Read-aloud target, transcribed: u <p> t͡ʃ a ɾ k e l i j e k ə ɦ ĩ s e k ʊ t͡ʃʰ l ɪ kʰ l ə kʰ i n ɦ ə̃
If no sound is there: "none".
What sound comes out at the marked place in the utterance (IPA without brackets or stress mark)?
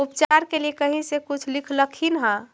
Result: p